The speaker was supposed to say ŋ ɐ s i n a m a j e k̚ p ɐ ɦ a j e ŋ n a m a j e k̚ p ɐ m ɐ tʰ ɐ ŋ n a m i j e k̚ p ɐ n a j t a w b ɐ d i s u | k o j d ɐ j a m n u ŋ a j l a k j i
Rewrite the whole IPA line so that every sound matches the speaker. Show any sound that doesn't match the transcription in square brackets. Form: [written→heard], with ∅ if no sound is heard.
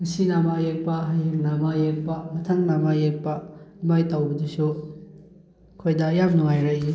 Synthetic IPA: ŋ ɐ s i n a m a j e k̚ p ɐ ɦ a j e ŋ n a m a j e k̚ p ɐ m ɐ tʰ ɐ ŋ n a m [i→a] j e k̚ p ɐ [n→m] a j t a w b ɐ d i s u | [k→kʰ] o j d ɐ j a m n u ŋ a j [l→ɾ] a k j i